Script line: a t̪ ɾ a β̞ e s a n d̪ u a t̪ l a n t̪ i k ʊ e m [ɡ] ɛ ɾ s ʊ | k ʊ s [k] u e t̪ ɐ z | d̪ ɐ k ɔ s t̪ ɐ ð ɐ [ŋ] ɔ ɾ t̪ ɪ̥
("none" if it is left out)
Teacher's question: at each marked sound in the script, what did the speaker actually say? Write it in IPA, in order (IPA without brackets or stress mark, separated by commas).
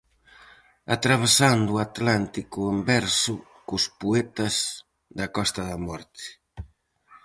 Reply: b, p, m